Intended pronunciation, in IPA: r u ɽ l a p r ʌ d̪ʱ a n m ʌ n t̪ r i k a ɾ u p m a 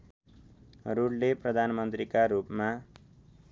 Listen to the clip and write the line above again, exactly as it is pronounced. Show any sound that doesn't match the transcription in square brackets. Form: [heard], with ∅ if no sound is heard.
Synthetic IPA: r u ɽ l [e] p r ʌ d̪ʱ a n m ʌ n t̪ r i k a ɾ u p m a